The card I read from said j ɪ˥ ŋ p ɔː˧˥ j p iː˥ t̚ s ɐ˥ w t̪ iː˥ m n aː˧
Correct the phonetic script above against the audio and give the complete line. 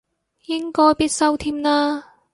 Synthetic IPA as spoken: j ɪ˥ ŋ k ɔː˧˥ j p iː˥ t̚ s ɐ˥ w t̪ʰ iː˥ m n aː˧